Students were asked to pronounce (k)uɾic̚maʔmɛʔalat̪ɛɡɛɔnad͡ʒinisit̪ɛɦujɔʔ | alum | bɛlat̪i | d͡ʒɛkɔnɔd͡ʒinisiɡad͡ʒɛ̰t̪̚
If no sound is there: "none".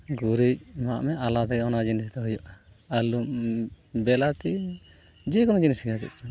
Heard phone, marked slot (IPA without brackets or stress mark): ɡ